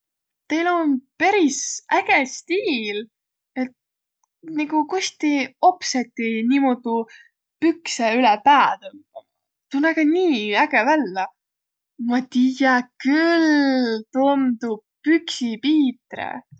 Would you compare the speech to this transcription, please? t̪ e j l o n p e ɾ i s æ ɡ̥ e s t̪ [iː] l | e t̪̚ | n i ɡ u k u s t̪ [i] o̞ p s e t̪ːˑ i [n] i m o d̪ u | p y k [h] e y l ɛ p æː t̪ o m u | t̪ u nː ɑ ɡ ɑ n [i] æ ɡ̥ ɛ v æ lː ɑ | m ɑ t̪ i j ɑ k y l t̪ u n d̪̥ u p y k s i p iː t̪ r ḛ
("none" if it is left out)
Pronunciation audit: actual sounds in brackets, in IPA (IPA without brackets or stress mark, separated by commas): iː, i, n, s, iː